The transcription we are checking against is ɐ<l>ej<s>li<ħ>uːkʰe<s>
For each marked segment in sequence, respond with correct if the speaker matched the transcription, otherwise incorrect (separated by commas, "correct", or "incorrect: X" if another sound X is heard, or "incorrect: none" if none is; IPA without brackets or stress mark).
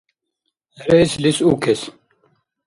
incorrect: ɾ, correct, incorrect: s, correct